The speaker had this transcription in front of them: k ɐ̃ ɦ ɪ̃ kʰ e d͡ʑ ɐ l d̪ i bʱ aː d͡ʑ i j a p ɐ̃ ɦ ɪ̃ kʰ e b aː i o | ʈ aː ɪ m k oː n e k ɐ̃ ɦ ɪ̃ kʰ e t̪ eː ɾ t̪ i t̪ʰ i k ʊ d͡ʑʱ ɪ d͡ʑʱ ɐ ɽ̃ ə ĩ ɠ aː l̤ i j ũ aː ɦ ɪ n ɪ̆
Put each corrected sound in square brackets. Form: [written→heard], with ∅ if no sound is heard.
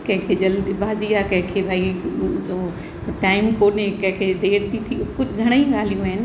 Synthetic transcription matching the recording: k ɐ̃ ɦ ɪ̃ kʰ e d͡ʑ ɐ l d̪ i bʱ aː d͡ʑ i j a [p→k] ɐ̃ ɦ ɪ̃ kʰ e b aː i o | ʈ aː ɪ m k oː n e k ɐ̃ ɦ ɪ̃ kʰ e [t̪→d̪] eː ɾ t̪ i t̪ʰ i k ʊ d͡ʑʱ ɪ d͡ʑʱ ɐ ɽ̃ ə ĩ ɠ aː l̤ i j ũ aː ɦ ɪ n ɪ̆